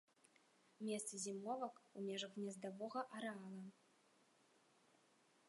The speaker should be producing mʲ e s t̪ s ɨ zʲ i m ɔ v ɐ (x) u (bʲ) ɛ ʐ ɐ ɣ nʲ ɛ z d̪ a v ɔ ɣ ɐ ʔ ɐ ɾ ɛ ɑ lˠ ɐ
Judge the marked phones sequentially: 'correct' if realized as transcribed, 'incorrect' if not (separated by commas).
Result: incorrect, incorrect